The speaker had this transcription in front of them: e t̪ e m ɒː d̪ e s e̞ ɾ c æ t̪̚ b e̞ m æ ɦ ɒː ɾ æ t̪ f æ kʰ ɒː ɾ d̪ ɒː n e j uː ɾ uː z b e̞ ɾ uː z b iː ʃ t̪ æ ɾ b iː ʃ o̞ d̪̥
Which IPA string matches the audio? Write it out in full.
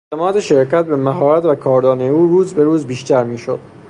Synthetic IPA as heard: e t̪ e m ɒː d̪ e ʃ e̞ ɾ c æ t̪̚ b e̞ m æ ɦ ɒː ɾ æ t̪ v æ kʰ ɒː ɾ d̪ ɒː n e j uː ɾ uː z b e̞ ɾ uː z b iː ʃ t̪ æ ɾ m iː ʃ o̞ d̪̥